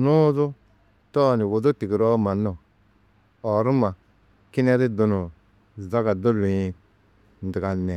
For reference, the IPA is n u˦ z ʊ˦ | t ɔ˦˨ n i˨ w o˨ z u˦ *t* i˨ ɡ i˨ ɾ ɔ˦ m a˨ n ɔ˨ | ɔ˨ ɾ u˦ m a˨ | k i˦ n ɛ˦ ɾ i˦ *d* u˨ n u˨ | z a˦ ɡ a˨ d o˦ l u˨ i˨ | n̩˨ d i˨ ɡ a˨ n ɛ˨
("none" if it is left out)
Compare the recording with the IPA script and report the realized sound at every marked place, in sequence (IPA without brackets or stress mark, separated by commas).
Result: t, d